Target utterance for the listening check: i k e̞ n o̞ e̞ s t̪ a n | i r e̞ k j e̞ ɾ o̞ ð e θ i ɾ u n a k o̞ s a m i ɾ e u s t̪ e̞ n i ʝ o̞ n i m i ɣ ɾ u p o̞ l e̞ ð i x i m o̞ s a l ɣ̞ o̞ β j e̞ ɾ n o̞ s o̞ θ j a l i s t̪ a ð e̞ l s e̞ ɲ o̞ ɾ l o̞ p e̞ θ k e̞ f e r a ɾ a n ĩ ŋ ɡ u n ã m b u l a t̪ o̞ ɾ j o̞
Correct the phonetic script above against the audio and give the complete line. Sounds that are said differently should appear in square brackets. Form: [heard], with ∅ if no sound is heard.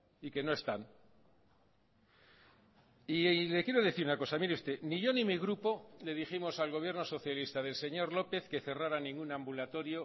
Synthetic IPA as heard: i k e̞ n o̞ e̞ s t̪ a n | i [l] e̞ k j e̞ ɾ o̞ ð e θ i ɾ u n a k o̞ s a m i ɾ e u s t̪ e̞ n i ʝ o̞ n i m i ɣ ɾ u p o̞ l e̞ ð i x i m o̞ s a l ɣ̞ o̞ β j e̞ ɾ n o̞ s o̞ θ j a l i s t̪ a ð e̞ l s e̞ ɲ o̞ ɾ l o̞ p e̞ θ k e̞ [θ] e r a ɾ a n ĩ ŋ ɡ u n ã m b u l a t̪ o̞ ɾ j o̞